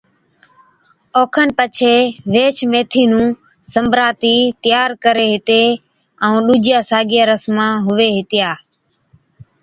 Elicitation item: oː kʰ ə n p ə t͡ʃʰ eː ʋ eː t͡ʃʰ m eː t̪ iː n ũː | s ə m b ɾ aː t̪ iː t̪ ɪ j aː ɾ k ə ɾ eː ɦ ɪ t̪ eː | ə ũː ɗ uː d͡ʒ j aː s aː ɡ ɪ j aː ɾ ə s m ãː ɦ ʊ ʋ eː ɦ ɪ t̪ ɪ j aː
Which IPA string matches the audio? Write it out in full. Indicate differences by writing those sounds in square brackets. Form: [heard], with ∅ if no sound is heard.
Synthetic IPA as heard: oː kʰ ə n p ə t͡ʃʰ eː ʋ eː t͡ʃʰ m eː [t̪ʰ] iː n ũː | s ə m b ɾ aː t̪ iː t̪ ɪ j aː ɾ k ə ɾ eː ɦ ɪ t̪ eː | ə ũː ɗ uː d͡ʒ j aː s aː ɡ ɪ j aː ɾ ə s m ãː ɦ ʊ ʋ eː ɦ ɪ t̪ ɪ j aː